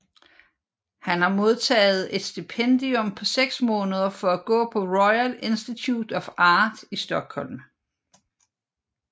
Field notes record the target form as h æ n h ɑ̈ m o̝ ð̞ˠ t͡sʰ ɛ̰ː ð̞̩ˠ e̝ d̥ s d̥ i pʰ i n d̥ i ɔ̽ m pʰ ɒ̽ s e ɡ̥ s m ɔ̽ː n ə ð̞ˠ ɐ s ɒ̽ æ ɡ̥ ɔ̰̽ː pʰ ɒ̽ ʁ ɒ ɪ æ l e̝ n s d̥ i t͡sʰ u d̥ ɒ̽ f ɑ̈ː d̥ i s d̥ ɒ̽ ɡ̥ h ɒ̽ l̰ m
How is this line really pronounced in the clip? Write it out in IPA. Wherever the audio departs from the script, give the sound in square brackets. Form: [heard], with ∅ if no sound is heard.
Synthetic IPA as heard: h æ n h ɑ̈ m o̝ ð̞ˠ t͡sʰ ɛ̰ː ð̞̩ˠ e̝ d̥ s d̥ i pʰ [e] n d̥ i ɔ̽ m pʰ ɒ̽ s e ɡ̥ s m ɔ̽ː n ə ð̞ˠ ɐ [f] ɒ̽ æ ɡ̥ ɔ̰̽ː pʰ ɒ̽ ʁ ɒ ɪ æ l e̝ n s d̥ i t͡sʰ u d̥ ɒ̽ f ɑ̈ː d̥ i s d̥ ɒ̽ ɡ̥ h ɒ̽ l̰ m